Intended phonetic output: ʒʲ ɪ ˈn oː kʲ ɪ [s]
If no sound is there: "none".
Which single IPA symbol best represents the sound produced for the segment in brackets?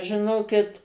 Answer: t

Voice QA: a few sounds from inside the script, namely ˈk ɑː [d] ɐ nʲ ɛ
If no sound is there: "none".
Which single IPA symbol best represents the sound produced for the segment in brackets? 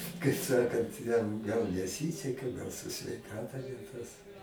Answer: t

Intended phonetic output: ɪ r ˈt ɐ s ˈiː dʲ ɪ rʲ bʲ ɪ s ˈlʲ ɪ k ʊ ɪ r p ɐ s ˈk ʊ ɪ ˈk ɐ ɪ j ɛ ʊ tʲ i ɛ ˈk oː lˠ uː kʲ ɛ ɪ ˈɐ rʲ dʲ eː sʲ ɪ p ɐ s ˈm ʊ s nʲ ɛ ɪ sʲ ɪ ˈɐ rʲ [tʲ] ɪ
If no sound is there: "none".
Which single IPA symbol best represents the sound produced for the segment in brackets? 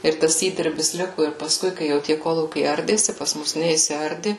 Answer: dʲ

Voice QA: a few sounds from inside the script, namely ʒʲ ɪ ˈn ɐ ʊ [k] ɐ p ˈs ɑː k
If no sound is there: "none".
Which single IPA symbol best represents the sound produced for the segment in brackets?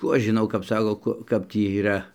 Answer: k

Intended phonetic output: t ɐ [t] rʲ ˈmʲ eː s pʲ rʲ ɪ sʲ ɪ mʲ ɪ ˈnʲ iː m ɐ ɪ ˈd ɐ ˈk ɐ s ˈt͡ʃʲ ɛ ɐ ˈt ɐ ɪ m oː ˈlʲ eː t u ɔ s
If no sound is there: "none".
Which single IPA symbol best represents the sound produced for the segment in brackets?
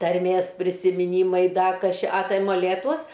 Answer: none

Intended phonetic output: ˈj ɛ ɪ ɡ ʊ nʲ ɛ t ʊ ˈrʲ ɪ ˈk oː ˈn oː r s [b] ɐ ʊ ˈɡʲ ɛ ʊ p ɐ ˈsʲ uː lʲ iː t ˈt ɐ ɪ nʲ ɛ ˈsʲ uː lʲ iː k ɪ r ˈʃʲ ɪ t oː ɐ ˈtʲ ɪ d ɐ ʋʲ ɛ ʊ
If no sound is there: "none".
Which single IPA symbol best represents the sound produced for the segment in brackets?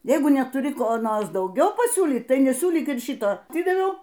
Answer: d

